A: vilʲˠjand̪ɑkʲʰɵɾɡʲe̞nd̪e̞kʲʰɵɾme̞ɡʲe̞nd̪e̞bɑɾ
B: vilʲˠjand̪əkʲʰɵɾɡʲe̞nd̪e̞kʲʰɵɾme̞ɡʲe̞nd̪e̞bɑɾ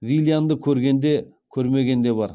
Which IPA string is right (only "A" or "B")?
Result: B